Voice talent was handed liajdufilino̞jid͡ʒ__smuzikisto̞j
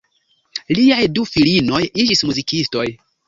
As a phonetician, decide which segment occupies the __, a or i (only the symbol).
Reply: i